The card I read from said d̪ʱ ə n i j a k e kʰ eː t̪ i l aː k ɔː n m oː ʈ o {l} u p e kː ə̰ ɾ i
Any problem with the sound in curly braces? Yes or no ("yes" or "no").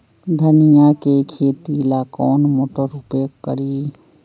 yes